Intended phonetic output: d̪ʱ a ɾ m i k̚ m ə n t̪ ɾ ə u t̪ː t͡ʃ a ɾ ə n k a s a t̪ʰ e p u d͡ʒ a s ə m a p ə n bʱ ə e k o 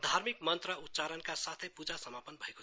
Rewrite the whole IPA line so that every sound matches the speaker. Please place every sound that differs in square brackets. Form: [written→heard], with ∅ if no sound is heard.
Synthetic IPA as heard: d̪ʱ a ɾ m i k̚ m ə n t̪ ɾ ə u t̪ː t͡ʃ a ɾ ə n k a s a t̪ʰ e p u d͡ʒ a s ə m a p ə n bʱ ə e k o